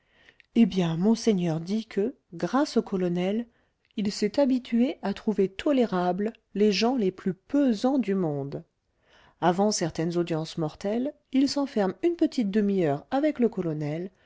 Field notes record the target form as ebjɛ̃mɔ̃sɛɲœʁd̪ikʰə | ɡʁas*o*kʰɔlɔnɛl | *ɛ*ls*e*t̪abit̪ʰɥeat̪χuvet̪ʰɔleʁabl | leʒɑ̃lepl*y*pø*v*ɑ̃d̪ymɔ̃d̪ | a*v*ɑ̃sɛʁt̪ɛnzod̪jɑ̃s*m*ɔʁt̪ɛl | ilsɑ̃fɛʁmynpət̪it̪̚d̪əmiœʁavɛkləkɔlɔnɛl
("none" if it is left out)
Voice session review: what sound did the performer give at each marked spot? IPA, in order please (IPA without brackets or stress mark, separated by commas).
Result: o, i, ɛ, y, z, v, m